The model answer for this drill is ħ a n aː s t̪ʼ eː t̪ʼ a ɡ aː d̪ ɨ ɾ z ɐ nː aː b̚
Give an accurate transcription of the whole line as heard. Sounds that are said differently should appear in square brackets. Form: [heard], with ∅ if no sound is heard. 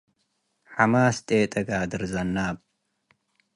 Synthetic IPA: ħ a [m] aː s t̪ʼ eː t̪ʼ [ɐ] ɡ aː d̪ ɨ ɾ z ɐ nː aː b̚